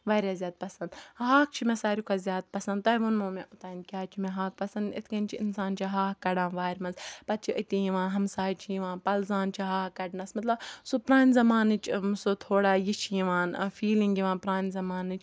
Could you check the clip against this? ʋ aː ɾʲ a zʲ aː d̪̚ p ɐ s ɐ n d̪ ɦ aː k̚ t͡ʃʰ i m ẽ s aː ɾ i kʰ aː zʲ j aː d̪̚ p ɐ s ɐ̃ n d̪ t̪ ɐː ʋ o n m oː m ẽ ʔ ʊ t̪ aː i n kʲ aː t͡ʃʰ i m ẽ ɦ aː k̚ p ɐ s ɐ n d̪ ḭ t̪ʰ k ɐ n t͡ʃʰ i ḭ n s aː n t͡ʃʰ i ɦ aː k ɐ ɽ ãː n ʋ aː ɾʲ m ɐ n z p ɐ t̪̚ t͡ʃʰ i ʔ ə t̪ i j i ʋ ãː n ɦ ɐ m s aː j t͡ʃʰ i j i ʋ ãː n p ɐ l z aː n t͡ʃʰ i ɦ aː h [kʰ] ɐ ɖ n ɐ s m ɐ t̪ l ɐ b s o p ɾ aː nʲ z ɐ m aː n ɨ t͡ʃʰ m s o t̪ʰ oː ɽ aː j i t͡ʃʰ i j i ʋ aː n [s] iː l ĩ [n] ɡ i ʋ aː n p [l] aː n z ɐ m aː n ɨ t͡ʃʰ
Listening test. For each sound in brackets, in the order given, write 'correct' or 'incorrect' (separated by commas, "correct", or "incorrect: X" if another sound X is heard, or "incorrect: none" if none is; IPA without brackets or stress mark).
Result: incorrect: k, incorrect: f, incorrect: ŋ, incorrect: ɾ